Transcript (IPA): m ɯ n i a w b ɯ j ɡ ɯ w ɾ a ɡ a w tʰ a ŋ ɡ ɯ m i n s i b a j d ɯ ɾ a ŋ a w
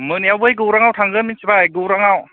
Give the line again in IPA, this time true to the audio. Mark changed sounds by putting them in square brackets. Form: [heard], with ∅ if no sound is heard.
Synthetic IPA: m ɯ n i a w b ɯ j ɡ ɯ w ɾ a [ŋ] a w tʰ a ŋ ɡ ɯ m i n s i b a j [ɡ] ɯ ɾ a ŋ a w